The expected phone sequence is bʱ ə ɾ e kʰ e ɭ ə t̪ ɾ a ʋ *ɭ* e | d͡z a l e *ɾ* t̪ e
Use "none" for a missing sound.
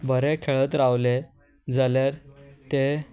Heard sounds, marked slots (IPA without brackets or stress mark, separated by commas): l, ɾ